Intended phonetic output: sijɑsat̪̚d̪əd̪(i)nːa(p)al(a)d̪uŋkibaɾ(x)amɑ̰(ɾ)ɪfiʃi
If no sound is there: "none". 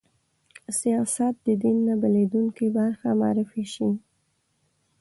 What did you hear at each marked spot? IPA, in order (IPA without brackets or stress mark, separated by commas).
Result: i, b, e, x, ɾ